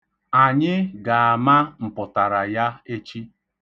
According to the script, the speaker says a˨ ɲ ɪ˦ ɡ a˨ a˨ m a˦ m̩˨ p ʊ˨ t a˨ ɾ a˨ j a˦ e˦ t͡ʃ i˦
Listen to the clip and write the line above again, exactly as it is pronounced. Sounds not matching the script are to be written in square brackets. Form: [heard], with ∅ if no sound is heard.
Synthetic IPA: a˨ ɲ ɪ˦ ɡ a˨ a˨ m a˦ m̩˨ p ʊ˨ t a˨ ɾ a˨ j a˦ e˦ t͡ʃ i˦